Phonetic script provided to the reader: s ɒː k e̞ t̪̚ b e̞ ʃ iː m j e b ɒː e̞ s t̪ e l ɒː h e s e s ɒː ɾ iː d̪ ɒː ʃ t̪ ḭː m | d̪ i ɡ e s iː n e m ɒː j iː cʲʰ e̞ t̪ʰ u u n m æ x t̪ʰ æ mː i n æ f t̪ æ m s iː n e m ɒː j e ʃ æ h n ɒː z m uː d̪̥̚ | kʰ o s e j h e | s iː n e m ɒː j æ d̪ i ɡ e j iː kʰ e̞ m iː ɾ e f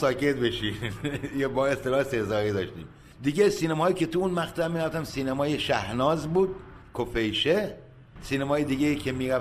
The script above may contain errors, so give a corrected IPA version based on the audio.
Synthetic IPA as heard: s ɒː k e̞ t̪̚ b e̞ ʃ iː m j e b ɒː e̞ s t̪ e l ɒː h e s e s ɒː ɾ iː d̪ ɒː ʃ t̪ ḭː m | d̪ i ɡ e s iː n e m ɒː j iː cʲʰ e̞ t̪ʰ u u n m æ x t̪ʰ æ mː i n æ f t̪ æ m s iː n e m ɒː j e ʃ æ h n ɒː z b uː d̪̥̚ | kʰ o f e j ʃ e | s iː n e m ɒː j e d̪ i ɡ e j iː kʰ e̞ m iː ɾ æ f